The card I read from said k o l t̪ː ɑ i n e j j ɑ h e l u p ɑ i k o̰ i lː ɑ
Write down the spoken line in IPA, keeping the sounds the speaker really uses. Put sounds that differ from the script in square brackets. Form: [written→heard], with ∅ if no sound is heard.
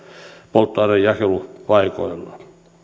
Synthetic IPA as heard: [k→p] o l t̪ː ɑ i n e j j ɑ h e l u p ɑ i k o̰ i lː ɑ